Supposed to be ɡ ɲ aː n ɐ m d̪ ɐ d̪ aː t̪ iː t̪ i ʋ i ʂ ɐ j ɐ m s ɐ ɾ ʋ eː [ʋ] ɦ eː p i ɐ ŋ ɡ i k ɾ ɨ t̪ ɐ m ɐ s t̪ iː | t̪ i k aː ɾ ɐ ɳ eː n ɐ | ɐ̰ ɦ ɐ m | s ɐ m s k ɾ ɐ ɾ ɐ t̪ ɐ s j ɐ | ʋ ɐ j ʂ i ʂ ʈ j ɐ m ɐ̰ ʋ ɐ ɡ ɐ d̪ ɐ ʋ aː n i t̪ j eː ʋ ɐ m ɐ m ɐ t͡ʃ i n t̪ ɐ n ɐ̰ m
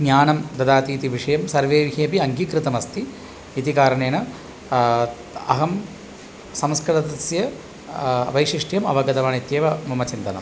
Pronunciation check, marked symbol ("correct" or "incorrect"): correct